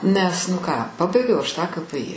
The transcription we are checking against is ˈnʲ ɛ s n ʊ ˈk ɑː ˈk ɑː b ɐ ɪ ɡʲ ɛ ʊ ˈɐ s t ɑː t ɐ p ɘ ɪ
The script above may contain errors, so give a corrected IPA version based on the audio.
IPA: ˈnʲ ɛ s n ʊ ˈk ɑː ˈp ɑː b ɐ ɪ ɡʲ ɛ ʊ ˈɐ ʃ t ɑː k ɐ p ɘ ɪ